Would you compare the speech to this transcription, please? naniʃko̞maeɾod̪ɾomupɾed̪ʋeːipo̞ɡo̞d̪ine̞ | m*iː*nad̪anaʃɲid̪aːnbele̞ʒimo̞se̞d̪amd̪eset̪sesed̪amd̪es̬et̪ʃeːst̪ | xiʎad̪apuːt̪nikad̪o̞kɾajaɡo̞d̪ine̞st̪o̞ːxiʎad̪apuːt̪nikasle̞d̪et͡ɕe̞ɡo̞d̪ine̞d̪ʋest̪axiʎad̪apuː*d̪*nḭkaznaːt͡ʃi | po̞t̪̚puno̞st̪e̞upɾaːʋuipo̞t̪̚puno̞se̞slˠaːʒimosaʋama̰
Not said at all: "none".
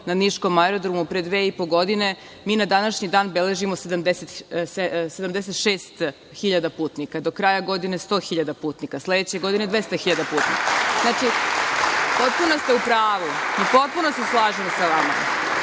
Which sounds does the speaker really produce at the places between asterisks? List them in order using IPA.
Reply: iː, t̪

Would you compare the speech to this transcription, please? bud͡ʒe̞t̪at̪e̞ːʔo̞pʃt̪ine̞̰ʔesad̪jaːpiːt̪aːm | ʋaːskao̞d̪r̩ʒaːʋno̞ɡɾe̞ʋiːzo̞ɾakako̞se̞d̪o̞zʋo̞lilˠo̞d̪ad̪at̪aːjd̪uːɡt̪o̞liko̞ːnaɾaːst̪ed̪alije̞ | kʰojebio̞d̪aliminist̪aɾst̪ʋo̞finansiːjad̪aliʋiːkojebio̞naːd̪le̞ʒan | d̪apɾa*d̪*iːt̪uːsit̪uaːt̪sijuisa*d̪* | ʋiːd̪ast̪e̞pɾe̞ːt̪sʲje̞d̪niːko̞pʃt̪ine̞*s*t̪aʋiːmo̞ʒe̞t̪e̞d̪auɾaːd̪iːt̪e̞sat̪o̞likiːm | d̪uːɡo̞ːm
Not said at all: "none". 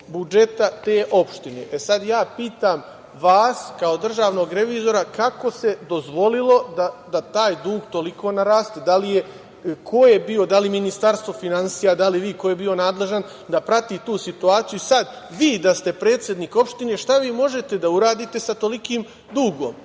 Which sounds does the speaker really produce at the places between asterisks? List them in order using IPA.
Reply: t̪, d̪, ʃ

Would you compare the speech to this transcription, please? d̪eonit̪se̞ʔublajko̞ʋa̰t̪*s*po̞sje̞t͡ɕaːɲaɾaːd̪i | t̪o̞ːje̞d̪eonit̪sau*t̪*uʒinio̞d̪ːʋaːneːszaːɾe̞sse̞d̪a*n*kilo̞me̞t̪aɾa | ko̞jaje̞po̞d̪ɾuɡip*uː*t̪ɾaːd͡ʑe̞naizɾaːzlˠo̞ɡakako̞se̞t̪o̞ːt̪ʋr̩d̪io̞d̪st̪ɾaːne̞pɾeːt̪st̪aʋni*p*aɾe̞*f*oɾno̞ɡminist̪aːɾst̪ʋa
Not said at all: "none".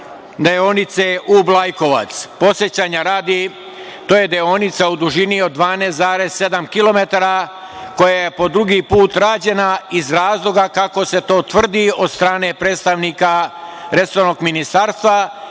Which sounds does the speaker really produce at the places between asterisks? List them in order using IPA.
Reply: s, d̪, m, uː, k, s

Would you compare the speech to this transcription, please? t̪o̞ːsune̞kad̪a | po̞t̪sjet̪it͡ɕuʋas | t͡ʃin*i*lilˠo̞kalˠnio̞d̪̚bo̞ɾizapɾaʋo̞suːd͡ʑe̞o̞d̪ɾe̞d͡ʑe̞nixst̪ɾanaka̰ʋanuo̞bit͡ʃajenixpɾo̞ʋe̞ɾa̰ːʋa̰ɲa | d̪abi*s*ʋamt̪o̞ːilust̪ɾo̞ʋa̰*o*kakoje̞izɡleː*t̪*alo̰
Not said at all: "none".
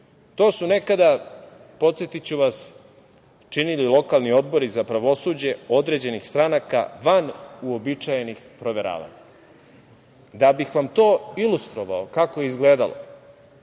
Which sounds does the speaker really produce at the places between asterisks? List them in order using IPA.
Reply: i, x, o, d̪

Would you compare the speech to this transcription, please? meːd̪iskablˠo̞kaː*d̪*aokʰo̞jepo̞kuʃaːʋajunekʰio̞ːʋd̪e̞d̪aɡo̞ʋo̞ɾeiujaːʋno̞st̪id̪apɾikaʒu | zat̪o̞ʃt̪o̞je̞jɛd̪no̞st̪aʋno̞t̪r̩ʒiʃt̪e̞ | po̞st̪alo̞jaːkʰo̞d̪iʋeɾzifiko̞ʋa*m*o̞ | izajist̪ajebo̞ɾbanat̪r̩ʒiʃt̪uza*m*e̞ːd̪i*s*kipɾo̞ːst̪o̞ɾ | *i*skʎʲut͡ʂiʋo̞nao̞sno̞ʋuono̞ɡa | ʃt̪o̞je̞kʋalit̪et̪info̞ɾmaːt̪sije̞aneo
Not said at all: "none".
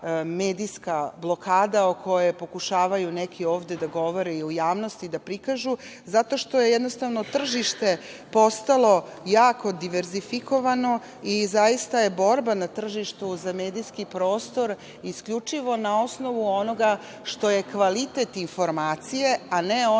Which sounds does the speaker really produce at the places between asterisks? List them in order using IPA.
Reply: d̪, n, m, s, i

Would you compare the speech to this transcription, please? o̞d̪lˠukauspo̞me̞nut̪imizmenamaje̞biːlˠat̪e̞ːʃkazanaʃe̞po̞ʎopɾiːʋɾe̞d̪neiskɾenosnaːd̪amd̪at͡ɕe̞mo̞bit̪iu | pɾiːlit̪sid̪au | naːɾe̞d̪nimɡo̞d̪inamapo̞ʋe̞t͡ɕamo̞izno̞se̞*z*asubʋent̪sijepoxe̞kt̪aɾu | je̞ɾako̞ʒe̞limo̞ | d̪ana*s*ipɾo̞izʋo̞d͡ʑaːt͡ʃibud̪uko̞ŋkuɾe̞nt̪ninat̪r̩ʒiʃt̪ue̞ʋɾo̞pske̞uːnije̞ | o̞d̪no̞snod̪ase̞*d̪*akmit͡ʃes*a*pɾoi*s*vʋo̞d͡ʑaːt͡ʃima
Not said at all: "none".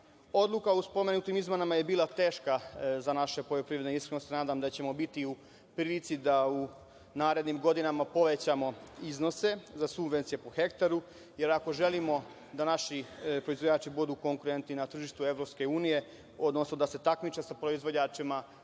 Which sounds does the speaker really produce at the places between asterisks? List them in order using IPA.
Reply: z, ʃ, t̪, a, z

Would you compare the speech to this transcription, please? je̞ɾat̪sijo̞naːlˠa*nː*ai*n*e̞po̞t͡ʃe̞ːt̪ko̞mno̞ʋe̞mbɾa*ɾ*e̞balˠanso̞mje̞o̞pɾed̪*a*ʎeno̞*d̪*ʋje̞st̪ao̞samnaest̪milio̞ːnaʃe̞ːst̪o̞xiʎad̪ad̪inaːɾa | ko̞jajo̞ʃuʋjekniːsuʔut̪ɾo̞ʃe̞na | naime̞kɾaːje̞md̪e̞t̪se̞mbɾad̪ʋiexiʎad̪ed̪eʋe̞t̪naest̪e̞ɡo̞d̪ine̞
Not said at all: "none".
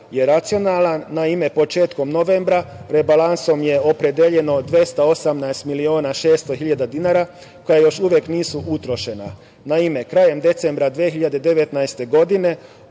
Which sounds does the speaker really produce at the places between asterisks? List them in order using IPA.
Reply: nː, m, ɾ, e, d̪

